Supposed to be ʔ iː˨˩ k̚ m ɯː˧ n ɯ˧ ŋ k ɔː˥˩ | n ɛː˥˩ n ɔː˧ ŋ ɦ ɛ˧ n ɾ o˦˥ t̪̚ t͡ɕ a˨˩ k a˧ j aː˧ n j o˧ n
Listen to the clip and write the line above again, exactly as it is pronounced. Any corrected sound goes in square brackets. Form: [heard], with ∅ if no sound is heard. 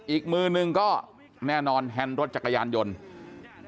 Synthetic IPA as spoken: ʔ iː˨˩ k̚ m ɯː˧ n ɯ˧ ŋ k ɔː˥˩ | n ɛː˥˩ n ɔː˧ [n] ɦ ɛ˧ n ɾ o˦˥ t̪̚ t͡ɕ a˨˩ k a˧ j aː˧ n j o˧ n